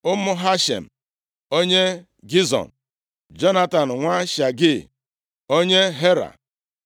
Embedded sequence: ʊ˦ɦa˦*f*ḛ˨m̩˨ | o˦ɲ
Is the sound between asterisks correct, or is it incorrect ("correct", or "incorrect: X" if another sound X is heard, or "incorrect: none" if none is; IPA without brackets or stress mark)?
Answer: incorrect: ʃ